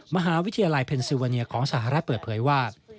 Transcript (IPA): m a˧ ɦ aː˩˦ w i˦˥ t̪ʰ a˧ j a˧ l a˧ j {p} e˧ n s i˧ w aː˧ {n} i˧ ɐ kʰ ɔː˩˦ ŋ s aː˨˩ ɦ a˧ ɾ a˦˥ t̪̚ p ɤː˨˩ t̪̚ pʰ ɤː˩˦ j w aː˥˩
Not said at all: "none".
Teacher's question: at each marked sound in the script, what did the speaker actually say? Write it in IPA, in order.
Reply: pʰ, n

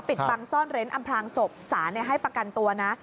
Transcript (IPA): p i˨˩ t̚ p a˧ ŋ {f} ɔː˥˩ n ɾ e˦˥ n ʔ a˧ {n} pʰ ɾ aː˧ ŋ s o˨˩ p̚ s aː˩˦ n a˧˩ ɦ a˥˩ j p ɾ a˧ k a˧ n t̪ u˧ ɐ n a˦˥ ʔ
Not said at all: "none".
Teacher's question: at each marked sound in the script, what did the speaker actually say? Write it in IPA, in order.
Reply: s, m

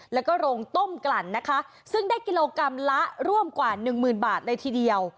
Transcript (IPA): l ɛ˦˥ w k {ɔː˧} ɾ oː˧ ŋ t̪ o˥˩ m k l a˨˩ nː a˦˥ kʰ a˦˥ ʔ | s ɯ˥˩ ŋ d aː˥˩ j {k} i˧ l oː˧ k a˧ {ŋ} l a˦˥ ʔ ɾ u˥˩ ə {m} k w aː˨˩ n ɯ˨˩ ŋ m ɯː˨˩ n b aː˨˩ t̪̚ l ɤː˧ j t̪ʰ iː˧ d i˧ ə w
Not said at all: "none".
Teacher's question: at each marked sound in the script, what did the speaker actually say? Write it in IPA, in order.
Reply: ɔː˥˩, k, m, m

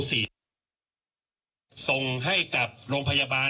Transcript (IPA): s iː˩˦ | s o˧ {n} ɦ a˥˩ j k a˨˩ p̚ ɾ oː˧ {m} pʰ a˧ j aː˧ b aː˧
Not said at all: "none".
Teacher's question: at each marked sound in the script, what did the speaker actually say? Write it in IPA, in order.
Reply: ŋ, ŋ

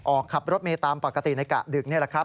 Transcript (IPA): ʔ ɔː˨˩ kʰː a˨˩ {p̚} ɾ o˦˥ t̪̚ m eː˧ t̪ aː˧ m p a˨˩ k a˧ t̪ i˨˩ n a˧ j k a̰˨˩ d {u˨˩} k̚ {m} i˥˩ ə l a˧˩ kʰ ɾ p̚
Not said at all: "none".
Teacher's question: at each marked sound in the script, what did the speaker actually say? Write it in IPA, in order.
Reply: p̚, ɯ˨˩, n

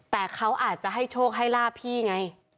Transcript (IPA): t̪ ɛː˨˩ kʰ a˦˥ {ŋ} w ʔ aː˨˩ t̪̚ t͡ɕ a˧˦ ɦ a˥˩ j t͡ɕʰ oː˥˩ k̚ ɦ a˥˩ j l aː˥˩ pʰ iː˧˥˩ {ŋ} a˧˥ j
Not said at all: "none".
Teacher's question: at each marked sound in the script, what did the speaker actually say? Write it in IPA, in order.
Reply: none, ŋ

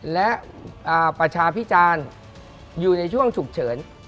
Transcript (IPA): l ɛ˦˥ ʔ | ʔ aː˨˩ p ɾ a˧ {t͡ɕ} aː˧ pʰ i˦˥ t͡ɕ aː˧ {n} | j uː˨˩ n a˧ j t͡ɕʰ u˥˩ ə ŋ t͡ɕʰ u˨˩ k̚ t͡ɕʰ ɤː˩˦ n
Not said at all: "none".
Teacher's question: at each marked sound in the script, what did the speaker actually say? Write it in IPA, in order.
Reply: t͡ɕʰ, n

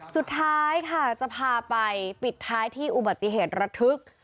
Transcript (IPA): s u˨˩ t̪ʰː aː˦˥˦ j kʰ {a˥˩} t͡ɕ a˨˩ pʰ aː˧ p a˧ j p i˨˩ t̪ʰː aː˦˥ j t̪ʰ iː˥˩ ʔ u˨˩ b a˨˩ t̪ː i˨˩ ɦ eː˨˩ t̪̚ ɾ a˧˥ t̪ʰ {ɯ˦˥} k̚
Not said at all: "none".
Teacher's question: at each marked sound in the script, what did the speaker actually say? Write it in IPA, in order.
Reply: a˥˩, ɯ˦˥

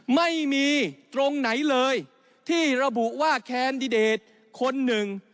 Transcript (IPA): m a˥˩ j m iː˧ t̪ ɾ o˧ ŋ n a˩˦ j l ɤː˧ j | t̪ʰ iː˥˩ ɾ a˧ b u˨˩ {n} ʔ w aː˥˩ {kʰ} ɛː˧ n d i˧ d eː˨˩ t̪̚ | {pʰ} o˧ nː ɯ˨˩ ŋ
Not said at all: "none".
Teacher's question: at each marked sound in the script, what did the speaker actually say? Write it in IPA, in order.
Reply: none, kʰ, kʰ

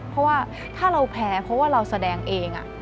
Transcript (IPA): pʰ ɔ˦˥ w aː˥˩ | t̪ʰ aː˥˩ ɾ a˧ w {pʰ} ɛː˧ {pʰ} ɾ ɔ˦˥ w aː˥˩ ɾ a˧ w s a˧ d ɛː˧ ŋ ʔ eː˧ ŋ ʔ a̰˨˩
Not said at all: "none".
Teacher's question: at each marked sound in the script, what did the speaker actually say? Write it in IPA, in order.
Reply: pʰ, pʰ

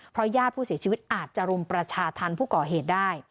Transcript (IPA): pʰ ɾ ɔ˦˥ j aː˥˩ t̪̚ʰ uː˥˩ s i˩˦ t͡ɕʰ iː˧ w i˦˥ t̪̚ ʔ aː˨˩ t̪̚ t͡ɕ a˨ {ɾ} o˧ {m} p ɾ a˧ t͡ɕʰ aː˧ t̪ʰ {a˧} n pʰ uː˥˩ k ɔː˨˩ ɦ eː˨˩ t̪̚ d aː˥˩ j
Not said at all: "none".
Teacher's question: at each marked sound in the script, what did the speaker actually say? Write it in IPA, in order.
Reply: ɾ, m, a˧

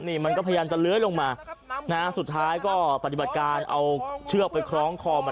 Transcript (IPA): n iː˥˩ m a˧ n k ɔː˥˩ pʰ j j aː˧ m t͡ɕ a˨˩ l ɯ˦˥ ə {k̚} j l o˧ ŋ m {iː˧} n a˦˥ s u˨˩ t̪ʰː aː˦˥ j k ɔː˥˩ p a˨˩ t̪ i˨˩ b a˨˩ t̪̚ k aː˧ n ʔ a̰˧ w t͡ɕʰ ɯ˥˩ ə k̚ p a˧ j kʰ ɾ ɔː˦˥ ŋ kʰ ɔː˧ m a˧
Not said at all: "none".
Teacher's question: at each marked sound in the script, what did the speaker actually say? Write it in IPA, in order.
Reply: none, aː˧

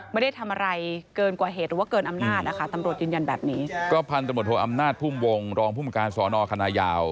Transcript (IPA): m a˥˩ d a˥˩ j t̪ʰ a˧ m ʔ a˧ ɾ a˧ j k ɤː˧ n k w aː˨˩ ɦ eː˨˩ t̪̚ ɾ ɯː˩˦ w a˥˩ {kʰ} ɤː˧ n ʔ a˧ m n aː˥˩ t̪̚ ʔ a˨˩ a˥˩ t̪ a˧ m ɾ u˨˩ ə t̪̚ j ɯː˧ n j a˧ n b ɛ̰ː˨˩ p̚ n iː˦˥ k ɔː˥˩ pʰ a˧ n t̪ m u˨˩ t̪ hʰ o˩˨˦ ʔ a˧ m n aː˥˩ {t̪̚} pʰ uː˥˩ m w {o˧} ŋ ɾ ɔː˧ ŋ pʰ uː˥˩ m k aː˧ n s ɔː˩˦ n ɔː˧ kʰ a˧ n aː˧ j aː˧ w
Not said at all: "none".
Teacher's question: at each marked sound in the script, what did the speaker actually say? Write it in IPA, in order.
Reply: k, t̪̚, o˧

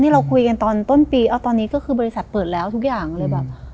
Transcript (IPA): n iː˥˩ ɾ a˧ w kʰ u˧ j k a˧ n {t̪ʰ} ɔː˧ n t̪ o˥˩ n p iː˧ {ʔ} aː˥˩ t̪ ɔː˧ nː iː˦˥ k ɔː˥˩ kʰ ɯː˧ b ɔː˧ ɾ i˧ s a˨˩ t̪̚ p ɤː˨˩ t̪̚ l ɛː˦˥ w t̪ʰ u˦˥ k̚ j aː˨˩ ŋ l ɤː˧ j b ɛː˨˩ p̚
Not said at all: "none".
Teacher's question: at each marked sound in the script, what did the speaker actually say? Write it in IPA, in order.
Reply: t̪, ʔ

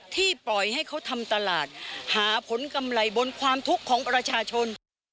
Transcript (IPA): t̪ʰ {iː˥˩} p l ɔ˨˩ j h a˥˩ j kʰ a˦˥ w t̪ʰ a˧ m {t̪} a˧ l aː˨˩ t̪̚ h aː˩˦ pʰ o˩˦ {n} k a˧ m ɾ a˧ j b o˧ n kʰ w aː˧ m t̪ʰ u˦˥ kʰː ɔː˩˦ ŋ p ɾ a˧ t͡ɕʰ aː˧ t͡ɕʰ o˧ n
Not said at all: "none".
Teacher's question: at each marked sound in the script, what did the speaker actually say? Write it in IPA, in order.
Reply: iː˥˩, t̪, n

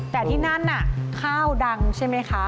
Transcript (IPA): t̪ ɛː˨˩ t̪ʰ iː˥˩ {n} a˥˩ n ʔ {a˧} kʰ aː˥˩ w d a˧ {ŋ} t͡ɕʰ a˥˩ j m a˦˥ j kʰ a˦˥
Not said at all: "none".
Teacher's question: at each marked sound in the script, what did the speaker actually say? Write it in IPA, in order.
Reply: n, a˨˩, ŋ

